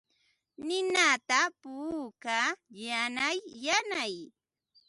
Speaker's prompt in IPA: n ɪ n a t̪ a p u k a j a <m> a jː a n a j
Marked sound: incorrect: n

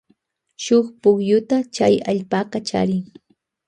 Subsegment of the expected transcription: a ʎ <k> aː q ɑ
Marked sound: incorrect: p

